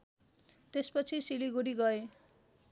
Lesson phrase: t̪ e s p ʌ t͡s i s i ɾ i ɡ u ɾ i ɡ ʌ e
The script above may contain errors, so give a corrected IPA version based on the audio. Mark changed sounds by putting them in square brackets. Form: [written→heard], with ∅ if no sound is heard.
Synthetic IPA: t̪ e s p ʌ [t͡s→t͡sʰ] i s i [ɾ→l] i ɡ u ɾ i ɡ ʌ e